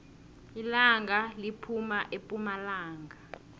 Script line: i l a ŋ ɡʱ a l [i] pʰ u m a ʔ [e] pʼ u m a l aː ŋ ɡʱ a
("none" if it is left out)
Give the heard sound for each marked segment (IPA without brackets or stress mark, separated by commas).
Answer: i, e